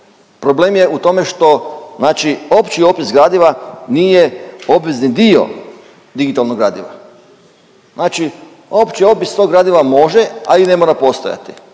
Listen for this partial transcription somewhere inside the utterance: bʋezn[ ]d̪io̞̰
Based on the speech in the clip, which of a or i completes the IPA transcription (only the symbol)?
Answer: i